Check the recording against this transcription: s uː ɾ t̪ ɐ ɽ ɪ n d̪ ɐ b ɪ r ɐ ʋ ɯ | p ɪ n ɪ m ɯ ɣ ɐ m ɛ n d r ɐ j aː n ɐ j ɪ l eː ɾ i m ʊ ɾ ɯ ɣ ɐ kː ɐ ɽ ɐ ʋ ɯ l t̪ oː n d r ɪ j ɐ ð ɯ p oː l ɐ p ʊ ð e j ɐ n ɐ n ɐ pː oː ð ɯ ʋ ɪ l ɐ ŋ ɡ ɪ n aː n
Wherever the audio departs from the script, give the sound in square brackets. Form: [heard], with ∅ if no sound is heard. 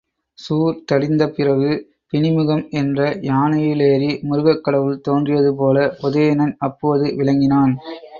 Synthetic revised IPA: s uː ɾ t̪ ɐ ɽ ɪ n d̪ ɐ [p] ɪ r ɐ ʋ ɯ | p ɪ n ɪ m ɯ ɣ ɐ m ɛ n d r ɐ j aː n ɐ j ɪ l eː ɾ i m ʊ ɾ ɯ ɣ ɐ kː ɐ ɽ ɐ ʋ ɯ l t̪ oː n d r ɪ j ɐ ð ɯ p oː l ɐ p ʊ ð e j ɐ n ɐ n ɐ pː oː ð ɯ ʋ ɪ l ɐ ŋ ɡ ɪ n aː n